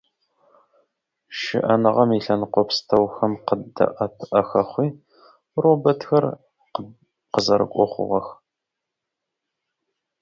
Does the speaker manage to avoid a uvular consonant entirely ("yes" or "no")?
no